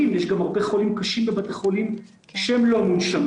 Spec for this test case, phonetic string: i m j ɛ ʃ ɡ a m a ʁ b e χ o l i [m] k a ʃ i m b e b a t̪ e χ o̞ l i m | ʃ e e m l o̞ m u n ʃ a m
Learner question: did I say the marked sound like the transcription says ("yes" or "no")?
yes